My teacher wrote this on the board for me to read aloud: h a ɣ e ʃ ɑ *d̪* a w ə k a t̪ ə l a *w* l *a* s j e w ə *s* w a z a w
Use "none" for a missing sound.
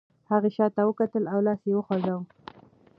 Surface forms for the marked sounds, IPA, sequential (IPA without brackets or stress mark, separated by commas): t̪, w, ɑ, x